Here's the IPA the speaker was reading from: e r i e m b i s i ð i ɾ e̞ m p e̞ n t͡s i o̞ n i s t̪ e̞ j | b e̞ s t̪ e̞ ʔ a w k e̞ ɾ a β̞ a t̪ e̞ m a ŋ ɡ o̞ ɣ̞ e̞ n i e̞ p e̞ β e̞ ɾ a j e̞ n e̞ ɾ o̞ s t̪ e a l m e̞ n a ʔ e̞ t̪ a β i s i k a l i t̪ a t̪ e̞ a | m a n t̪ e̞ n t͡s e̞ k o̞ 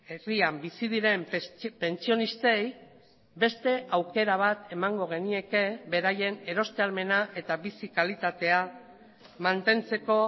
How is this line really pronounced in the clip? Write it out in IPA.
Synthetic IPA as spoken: e r i a m b i s i ð i ɾ e̞ m p e̞ n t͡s i o̞ n i s t̪ e̞ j | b e̞ s t̪ e̞ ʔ a w k e̞ ɾ a β̞ a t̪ e̞ m a ŋ ɡ o̞ ɣ̞ e̞ n i e̞ k e̞ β e̞ ɾ a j e̞ n e̞ ɾ o̞ s t̪ e a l m e̞ n a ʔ e̞ t̪ a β i s i k a l i t̪ a t̪ e̞ a | m a n t̪ e̞ n t͡s e̞ k o̞